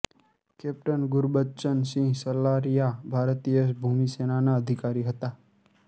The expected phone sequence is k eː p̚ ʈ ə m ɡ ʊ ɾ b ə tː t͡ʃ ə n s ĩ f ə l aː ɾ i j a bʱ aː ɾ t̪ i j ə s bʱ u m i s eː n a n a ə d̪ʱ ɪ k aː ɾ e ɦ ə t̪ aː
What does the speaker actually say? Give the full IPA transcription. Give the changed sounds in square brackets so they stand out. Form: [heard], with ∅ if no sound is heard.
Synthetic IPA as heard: k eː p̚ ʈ ə [n] ɡ ʊ ɾ b ə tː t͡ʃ ə n s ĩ [s] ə l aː ɾ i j a bʱ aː ɾ t̪ i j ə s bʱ u m i s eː n a n a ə d̪ʱ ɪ k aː ɾ [i] ɦ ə t̪ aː